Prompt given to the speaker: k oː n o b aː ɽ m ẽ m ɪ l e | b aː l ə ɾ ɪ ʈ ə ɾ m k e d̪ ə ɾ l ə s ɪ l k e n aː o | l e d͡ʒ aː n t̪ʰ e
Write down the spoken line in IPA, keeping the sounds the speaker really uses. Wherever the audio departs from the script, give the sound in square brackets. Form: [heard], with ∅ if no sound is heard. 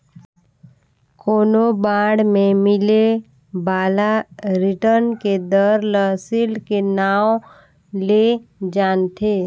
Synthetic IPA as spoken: k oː n o b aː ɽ m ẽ m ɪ l e | b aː l [a] ɾ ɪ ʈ ə ɾ [n] k e d̪ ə ɾ l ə s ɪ l k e n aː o | l e d͡ʒ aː n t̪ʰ e